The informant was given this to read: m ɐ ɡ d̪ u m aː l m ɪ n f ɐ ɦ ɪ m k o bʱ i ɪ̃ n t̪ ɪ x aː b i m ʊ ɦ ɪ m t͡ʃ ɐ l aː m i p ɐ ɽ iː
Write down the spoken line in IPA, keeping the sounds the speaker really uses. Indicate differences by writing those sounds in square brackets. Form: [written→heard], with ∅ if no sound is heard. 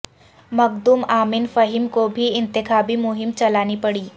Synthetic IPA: m ɐ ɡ d̪ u m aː [l→∅] m ɪ n f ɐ ɦ ɪ m k o bʱ i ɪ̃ n t̪ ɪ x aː b i m ʊ ɦ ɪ m t͡ʃ ɐ l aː [m→n] i p ɐ ɽ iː